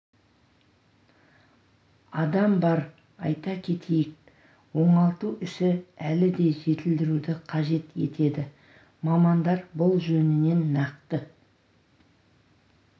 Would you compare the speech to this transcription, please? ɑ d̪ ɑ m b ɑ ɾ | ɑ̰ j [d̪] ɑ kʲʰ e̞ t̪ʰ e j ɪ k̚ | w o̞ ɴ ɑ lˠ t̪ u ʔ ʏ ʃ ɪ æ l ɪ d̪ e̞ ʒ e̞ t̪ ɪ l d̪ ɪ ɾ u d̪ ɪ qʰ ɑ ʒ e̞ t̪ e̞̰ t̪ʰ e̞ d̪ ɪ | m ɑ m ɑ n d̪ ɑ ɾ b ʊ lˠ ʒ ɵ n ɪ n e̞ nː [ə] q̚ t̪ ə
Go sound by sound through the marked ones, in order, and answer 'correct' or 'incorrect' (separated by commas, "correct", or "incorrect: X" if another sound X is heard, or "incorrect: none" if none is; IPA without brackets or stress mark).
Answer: incorrect: t̪, incorrect: ɑ